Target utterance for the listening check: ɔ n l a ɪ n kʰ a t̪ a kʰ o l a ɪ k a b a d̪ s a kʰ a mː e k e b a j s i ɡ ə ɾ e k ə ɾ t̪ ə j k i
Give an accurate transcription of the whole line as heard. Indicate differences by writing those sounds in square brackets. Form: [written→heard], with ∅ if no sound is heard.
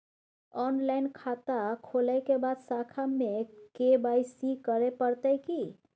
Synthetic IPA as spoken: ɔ n l a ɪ n kʰ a t̪ a kʰ o l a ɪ k [a→e] b a d̪ s a kʰ a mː e k e b a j s i [ɡ→k] ə ɾ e [k→p] ə ɾ t̪ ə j k i